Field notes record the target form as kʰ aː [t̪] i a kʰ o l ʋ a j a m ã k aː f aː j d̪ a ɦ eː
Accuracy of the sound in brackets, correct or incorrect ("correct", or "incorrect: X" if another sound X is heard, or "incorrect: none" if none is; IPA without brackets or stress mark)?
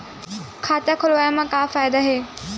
correct